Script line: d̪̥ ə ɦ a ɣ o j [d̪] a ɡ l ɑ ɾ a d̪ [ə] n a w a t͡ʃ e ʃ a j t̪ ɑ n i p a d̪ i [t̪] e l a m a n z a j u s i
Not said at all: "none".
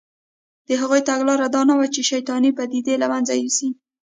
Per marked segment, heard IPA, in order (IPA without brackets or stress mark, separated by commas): t̪, ɑ, d̪